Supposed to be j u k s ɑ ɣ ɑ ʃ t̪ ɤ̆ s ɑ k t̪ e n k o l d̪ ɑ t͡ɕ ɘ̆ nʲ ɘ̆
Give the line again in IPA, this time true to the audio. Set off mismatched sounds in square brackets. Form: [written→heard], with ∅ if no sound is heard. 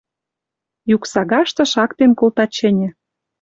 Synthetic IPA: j u k s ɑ ɣ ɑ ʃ t̪ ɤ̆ [s→ʃ] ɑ k t̪ e n k o l [d̪→t̪] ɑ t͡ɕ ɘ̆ nʲ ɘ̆